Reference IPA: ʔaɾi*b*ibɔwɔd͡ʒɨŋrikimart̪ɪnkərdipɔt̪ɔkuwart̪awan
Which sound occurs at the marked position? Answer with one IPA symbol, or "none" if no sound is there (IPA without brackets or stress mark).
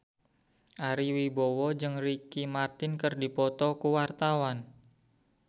w